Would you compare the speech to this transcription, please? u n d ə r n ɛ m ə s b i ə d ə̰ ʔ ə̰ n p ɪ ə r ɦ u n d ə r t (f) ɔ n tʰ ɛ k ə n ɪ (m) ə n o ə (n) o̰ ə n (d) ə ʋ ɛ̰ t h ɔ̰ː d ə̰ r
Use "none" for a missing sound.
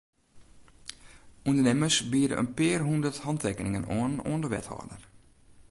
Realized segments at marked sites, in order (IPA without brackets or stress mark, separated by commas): h, ŋ, n, d